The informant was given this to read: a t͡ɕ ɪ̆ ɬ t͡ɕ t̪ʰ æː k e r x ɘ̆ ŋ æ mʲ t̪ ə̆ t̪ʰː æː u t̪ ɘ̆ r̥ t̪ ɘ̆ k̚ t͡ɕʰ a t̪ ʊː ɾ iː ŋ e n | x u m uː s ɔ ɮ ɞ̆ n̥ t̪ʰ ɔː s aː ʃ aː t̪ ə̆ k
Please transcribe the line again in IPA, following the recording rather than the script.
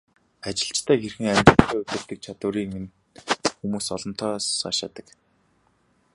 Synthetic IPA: a t͡ɕ ɪ̆ ɬ t͡ɕ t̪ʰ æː x e r x ɘ̆ ŋ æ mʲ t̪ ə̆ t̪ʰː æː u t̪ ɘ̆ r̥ t̪ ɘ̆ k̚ t͡ɕʰ a t̪ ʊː ɾ iː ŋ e n | x u m uː s ɔ ɮ ɞ̆ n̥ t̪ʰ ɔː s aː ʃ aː t̪ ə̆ k